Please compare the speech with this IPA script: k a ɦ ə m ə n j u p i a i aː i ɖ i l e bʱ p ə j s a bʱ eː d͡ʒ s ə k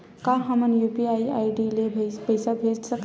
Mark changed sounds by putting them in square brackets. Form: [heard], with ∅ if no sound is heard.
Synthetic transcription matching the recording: k a ɦ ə m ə n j u p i a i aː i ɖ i l e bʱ p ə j s a bʱ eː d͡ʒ s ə k